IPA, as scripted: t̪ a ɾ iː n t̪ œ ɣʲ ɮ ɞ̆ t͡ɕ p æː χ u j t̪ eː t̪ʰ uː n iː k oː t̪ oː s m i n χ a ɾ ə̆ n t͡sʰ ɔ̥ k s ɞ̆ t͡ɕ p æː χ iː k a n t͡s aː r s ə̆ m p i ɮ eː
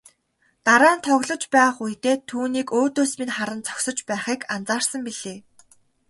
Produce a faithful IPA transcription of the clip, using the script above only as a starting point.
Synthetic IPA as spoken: t̪ a ɾ aː n t̪ʰ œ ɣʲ ɮ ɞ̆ t͡ɕ p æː χ u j t̪ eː t̪ʰ uː n iː k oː t̪ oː s m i n χ a ɾ ə̆ n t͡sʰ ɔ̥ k s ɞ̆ t͡ɕ p æː χ iː k a n t͡s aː r s ə̆ m p i ɮ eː